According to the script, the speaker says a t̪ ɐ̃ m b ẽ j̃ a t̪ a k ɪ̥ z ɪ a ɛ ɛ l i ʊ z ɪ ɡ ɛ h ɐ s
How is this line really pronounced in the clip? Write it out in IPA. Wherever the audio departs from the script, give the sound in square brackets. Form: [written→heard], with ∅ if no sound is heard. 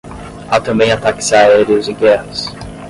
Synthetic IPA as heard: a t̪ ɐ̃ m b ẽ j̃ a t̪ a k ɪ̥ [z→s] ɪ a [ɛ→a] ɛ [l→ɾ] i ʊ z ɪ ɡ ɛ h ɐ s